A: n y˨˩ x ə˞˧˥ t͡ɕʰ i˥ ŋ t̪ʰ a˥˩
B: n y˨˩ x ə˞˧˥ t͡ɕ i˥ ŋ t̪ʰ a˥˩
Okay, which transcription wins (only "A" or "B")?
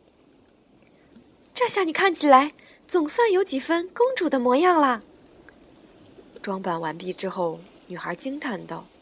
B